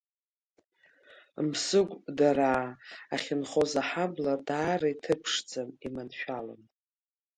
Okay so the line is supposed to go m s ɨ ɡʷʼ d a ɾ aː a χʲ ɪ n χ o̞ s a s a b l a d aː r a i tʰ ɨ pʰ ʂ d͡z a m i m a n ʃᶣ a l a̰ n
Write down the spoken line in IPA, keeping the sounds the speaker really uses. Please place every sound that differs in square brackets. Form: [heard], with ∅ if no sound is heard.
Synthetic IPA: m s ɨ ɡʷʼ d a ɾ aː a χʲ ɪ n χ o̞ [z] a [ħ] a b l a d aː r a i tʰ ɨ pʰ ʂ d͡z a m i m a n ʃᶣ a l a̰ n

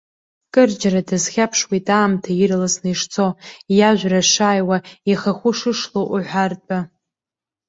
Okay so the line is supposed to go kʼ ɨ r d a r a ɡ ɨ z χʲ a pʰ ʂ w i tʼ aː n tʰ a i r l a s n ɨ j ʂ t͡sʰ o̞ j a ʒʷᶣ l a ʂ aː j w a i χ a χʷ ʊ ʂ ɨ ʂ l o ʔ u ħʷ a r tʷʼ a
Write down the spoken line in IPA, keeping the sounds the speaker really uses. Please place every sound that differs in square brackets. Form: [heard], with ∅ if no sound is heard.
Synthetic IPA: kʼ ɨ r [d͡ʒ] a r a [d] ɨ z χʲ a pʰ ʂ w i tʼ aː [m] tʰ a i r l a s n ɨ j ʂ t͡sʰ o̞ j a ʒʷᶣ [r] a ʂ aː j w a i χ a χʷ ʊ ʂ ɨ ʂ l o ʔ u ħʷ a r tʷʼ a

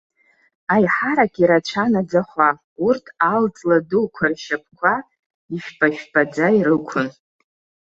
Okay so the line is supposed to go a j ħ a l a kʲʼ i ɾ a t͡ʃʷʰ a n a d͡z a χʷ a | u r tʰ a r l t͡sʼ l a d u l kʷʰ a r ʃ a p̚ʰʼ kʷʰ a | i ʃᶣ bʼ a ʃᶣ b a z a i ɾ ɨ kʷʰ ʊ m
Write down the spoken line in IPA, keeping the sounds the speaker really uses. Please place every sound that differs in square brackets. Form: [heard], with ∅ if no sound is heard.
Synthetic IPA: a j ħ a [ɾ] a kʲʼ i ɾ a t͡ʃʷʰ a n a d͡z a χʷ a | u r tʰ a [∅] l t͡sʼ l a d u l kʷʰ a r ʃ a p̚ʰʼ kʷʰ a | i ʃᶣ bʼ a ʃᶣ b a [d͡z] a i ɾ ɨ kʷʰ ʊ [n]

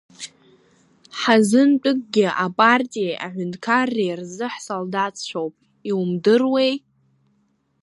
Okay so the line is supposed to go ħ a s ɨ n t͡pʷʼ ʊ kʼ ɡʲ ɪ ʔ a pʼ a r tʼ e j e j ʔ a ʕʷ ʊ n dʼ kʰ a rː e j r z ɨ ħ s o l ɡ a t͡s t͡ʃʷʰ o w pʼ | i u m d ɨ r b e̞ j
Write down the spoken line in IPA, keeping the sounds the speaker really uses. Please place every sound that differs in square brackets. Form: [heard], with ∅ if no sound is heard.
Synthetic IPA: ħ a [z] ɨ n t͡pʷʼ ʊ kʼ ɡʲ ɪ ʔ a pʼ a r tʼ [i] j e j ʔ a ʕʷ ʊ n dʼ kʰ a rː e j r z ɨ ħ s o l [d] a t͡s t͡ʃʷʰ o w pʼ | i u m d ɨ r [w] e̞ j

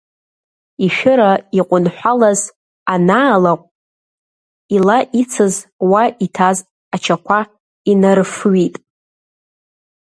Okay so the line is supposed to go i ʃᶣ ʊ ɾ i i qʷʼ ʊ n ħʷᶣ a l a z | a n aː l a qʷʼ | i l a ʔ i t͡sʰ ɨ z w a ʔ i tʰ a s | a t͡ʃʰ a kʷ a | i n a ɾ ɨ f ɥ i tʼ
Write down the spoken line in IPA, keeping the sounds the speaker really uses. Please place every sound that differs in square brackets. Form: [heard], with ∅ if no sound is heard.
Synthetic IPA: i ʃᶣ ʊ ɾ [a] i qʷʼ ʊ n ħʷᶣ a l a z | a n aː l a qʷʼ | i l a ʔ i t͡sʰ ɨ z w a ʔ i tʰ a [z] | a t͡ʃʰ a kʷ a | i n a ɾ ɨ f ɥ i tʼ

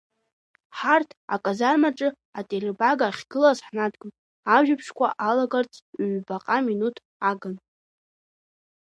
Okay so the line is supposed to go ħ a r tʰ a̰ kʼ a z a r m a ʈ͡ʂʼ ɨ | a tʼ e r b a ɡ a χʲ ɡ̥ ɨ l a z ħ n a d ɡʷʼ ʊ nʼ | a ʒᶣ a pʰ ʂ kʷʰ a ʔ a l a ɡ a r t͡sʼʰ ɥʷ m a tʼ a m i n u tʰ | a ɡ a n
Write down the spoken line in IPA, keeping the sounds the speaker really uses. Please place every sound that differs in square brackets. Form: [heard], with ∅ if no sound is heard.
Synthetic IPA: ħ a r tʰ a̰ kʼ a z a r m a ʈ͡ʂʼ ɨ | a tʼ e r b a ɡ a χʲ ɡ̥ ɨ l a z ħ n a d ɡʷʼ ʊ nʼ | a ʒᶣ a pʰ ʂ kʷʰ a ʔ a l a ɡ a r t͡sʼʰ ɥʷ [b] a [qʼ] a m i n u tʰ | a ɡ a n

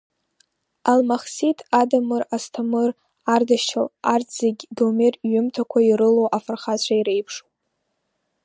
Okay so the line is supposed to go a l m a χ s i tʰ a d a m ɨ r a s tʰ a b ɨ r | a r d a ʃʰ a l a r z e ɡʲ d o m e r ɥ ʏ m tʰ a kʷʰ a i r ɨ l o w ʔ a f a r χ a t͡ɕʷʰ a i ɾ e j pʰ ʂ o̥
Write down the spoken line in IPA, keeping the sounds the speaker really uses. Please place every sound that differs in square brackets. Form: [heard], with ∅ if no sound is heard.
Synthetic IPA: a l m a χ s i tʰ a d a m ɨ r a s tʰ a [m] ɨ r | a r d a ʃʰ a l a r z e ɡʲ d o m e r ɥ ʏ m tʰ a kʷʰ a i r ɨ l o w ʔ a f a r χ a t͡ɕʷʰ a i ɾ e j pʰ ʂ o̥

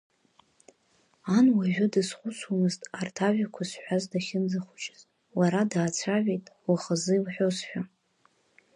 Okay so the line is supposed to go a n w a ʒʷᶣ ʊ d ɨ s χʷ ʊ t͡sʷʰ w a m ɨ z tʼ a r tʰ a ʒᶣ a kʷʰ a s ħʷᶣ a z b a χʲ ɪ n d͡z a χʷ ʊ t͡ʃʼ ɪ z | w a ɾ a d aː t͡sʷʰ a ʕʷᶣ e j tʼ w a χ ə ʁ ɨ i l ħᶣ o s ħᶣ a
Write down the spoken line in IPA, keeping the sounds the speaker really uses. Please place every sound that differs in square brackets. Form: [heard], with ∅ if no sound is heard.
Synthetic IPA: a n w a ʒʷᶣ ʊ d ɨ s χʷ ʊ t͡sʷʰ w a m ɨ z tʼ a r tʰ a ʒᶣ a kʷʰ a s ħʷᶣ a z [d] a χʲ ɪ n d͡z a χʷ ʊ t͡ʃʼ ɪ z | w a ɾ a d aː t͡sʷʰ a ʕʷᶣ e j tʼ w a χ ə [z] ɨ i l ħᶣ o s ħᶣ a

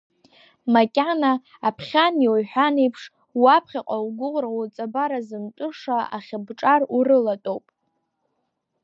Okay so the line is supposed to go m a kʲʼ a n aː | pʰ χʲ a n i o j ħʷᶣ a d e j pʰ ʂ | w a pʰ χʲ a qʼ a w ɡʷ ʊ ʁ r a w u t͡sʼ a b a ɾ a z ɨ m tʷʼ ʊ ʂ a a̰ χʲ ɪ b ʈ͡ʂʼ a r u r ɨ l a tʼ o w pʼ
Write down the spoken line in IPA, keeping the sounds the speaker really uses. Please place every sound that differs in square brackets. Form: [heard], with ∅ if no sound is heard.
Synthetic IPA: m a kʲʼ a n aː | pʰ χʲ a n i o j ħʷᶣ a [n] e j pʰ ʂ | w a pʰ χʲ a qʼ a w ɡʷ ʊ ʁ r a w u t͡sʼ a b a ɾ a z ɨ m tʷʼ ʊ ʂ a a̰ χʲ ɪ b ʈ͡ʂʼ a r u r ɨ l a tʼ o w pʼ

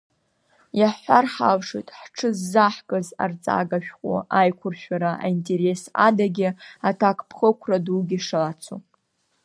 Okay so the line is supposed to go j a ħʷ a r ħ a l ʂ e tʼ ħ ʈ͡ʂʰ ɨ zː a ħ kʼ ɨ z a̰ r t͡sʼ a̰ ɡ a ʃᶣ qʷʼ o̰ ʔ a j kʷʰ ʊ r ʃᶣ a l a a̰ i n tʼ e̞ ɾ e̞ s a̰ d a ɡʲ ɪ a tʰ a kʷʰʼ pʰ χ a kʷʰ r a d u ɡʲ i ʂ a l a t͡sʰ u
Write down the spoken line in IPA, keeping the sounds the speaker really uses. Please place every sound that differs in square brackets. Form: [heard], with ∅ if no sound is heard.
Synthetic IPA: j a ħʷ a r ħ a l ʂ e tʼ ħ ʈ͡ʂʰ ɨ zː a ħ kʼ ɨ z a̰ r t͡sʼ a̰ ɡ a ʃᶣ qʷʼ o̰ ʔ a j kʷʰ ʊ r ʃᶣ a [ɾ] a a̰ i n tʼ e̞ ɾ e̞ s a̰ d a ɡʲ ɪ a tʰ a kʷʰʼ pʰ χ [ə] kʷʰ r a d u ɡʲ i ʂ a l a t͡sʰ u

